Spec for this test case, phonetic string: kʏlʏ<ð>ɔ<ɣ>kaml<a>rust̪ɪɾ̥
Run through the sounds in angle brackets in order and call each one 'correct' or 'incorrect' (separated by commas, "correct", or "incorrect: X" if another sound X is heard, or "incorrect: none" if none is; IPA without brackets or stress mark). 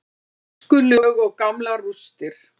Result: incorrect: ɣ, correct, correct